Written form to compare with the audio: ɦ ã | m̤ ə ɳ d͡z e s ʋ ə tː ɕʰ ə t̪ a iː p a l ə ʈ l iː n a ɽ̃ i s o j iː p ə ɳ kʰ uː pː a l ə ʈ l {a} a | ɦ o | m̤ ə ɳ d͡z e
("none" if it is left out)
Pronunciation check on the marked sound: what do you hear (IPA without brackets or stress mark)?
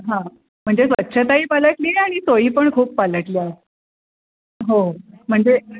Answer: i